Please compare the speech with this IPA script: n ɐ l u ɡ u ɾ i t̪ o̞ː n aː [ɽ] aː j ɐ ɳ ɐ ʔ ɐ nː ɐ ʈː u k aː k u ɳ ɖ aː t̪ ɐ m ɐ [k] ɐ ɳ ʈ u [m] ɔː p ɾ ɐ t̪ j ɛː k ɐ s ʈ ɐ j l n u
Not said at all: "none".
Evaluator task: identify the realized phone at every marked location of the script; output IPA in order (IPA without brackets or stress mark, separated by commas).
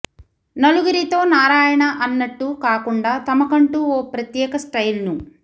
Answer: ɾ, k, none